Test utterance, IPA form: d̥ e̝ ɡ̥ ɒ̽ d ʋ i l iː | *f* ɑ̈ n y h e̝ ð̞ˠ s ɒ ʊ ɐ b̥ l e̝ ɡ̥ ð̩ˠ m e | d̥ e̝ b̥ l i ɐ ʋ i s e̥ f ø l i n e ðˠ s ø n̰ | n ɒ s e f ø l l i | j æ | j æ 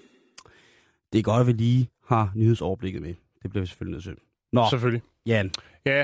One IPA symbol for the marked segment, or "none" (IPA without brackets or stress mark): h